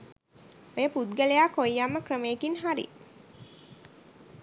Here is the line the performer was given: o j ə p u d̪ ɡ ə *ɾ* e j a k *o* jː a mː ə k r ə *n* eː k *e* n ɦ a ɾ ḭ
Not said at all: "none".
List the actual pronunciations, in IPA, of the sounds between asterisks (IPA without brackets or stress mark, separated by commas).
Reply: l, o, m, i